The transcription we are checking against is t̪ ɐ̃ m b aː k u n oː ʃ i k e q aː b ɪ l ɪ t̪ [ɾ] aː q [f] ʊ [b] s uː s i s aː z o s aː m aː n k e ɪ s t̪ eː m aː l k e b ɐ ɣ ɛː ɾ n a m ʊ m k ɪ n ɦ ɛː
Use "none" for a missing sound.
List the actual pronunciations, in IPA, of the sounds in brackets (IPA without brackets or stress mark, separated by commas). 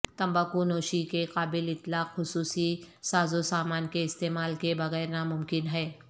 l, x, none